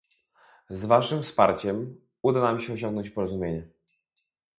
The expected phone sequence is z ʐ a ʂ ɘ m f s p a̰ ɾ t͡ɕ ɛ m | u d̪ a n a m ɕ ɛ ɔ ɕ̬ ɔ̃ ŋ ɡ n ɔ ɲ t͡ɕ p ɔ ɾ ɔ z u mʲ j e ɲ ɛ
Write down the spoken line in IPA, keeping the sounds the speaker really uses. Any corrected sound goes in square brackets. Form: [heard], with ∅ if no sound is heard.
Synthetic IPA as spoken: z [v] a ʂ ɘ m f s p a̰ ɾ t͡ɕ ɛ m | u d̪ a n a m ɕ ɛ ɔ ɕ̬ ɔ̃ ŋ ɡ n ɔ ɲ t͡ɕ p ɔ ɾ ɔ z u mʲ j e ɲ ɛ

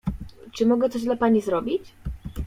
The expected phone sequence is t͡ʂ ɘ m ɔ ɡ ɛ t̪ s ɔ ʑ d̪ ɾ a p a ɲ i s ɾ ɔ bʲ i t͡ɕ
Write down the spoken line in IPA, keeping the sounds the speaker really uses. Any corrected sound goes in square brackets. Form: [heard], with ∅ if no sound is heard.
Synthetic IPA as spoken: t͡ʂ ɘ m ɔ ɡ ɛ t̪ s ɔ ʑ d̪ [l] a p a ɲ i [z] ɾ ɔ bʲ i t͡ɕ

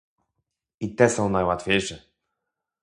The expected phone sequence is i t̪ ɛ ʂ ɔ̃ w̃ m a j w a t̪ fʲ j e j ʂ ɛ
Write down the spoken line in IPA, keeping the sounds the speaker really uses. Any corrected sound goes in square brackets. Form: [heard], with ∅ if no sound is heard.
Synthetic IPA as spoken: i t̪ ɛ [s] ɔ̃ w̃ [n] a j w a t̪ fʲ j e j ʂ ɛ

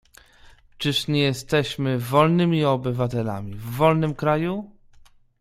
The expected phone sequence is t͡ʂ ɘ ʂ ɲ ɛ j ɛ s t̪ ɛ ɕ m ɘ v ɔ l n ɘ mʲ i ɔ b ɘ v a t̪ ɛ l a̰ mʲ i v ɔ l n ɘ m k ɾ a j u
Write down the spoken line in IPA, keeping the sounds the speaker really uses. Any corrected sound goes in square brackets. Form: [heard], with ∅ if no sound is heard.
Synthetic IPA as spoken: t͡ʂ ɘ ʂ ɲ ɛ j ɛ s t̪ ɛ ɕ m ɘ v ɔ l n ɘ mʲ i ɔ b ɘ v a t̪ ɛ l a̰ mʲ i [vː] ɔ l n ɘ m k ɾ a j u

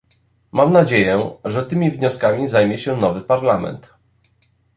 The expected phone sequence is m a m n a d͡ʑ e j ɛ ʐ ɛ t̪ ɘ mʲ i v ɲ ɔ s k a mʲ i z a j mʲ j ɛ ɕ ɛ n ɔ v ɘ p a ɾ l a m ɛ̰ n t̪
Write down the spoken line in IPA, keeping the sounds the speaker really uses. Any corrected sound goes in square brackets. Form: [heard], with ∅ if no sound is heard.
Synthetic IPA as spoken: m a m n a d͡ʑ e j ɛ ʐ ɛ t̪ ɘ mʲ i v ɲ ɔ s k a mʲ i z a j mʲ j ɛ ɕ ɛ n ɔ v ɘ p a ɾ l a m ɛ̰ n t̪

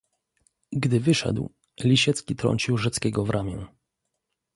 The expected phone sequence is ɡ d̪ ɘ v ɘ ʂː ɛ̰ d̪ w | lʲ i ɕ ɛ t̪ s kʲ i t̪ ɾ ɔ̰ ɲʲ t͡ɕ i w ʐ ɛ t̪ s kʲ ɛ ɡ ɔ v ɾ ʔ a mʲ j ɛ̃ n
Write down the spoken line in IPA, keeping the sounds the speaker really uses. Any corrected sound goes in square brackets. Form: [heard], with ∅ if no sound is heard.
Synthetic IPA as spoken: ɡ d̪ ɘ v ɘ [ʂ] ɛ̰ d̪ w | lʲ i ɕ ɛ t̪ s kʲ i t̪ ɾ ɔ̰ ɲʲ t͡ɕ i w ʐ ɛ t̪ s kʲ ɛ ɡ ɔ v ɾ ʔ a mʲ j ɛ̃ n

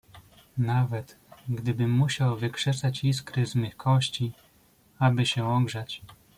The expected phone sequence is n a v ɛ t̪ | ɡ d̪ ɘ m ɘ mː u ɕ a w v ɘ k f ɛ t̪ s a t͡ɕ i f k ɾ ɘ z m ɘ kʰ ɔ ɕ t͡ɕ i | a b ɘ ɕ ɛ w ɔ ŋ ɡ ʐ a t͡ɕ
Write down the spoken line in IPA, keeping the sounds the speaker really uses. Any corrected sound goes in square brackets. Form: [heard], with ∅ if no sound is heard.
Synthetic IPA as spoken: n a v ɛ t̪ | ɡ d̪ ɘ [b] ɘ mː u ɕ a w v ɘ k [ʂ] ɛ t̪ s a t͡ɕ i [s] k ɾ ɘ z m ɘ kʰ ɔ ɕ t͡ɕ i | a b ɘ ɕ ɛ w ɔ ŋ ɡ ʐ a t͡ɕ

